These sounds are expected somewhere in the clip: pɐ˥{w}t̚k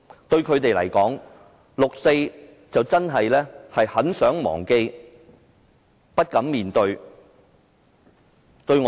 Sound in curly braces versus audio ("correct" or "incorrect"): incorrect